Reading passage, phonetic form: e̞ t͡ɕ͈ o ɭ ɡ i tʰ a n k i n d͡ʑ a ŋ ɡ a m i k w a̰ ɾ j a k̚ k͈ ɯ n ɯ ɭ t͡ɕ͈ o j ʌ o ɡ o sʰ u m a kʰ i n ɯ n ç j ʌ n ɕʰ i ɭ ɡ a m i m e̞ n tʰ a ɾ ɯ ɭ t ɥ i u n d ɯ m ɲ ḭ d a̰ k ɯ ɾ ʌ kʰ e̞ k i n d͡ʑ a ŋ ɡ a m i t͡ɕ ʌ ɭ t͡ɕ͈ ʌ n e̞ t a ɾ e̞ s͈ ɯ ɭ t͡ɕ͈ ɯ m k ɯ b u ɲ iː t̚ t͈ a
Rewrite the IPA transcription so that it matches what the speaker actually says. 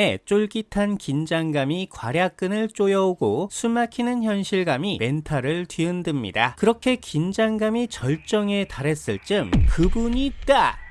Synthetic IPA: e̞ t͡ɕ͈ o ɭ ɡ i tʰ a n k i n d͡ʑ a ŋ ɡ a m i k w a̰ ɾ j a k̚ k͈ ɯ n ɯ ɭ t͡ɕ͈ o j ʌ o ɡ o sʰ u m a kʰ i n ɯ n ç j ʌ n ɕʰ i ɭ ɡ a m i m e̞ n tʰ a ɾ ɯ ɭ t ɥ i ɯ n d ɯ m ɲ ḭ d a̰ k ɯ ɾ ʌ kʰ e̞ k i n d͡ʑ a ŋ ɡ a m i t͡ɕ ʌ ɭ t͡ɕ͈ ʌ ŋ e̞ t a ɾ e̞ s͈ ɯ ɭ t͡ɕ͈ ɯ m k ɯ b u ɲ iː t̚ t͈ a